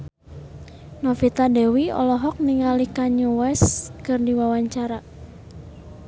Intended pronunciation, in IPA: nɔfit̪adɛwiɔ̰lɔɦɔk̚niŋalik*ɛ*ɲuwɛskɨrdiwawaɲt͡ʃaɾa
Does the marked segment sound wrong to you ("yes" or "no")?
yes